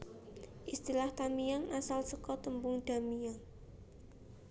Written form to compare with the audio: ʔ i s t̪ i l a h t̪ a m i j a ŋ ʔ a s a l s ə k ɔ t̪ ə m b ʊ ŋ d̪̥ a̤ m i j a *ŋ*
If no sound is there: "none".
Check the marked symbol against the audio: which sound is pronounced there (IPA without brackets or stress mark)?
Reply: ŋ